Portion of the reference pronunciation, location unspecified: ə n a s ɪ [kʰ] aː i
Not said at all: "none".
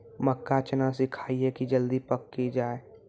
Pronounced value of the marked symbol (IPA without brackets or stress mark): kʰ